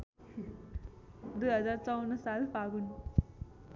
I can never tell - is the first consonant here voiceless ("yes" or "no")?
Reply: no